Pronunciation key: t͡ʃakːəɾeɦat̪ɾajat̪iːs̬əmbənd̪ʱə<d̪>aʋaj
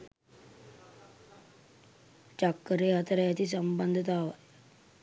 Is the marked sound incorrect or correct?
incorrect: t̪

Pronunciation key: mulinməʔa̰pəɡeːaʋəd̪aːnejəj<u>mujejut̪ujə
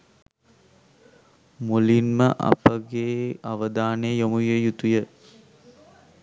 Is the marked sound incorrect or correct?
incorrect: o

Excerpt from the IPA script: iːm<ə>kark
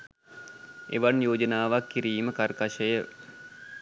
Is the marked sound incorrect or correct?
correct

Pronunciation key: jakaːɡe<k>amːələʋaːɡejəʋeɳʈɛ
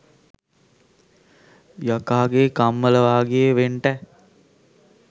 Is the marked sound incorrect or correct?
correct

